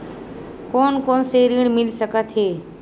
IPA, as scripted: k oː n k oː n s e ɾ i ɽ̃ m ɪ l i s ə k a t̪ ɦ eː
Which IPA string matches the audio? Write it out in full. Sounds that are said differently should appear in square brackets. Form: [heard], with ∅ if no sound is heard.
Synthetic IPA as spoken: k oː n k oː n s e ɾ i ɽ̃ m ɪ l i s ə k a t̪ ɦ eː